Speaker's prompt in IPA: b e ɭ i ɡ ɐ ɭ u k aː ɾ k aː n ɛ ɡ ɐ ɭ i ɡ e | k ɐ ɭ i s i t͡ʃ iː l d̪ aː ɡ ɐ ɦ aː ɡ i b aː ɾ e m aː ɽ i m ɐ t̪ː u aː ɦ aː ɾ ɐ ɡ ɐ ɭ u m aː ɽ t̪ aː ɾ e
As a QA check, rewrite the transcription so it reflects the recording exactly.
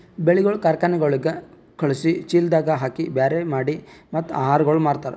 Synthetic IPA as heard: b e ɭ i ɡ ɐ ɭ u k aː ɾ k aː n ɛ ɡ ɐ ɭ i ɡ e | k ɐ ɭ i s i t͡ʃ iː l d̪ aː ɡ ɐ ɦ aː k i b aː ɾ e m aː ɽ i m ɐ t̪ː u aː ɦ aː ɾ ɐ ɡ ɐ ɭ u m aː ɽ t̪ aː ɾ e